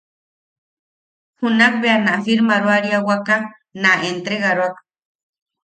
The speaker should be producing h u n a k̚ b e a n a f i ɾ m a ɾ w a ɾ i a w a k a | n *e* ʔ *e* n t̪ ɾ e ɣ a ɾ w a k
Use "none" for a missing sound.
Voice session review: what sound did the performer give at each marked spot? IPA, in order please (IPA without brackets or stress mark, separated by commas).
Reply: a, e